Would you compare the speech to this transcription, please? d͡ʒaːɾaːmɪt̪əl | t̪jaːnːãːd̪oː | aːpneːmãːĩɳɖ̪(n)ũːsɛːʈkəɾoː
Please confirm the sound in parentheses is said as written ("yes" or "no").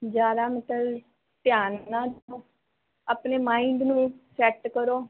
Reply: yes